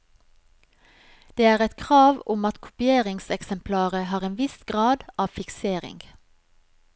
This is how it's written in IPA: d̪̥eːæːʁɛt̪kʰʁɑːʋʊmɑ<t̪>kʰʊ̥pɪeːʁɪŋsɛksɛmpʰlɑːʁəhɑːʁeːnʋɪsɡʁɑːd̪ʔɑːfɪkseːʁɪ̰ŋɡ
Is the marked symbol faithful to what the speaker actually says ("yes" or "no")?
yes